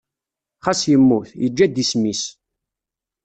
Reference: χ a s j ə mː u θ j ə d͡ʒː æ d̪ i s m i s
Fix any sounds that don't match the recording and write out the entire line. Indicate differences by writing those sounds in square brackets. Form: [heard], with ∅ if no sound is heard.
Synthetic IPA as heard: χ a s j ə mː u θ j ə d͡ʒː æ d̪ i s m i s

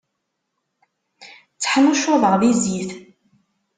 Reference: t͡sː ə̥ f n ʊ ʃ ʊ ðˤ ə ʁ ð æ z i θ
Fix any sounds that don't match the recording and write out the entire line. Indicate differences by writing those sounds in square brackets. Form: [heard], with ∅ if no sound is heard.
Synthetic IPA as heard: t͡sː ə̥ [ħ] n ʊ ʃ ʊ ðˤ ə ʁ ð [i] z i θ

